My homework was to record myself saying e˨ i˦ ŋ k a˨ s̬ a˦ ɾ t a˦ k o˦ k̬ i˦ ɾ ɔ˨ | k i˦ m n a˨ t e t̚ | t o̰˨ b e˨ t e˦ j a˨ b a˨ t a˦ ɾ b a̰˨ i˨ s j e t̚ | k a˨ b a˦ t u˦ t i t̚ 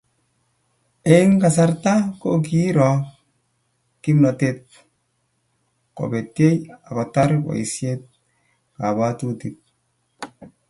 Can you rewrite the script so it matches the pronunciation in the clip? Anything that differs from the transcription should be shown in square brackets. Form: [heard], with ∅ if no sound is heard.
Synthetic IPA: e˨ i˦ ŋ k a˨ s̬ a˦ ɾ t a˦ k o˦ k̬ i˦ ɾ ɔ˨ | k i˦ m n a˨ t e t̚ | [k] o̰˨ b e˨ t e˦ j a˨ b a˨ t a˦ ɾ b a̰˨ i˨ s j e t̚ | k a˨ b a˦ t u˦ t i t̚